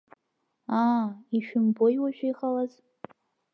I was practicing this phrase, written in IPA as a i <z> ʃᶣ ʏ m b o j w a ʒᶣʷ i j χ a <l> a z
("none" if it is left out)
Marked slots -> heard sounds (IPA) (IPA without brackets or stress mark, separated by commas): none, l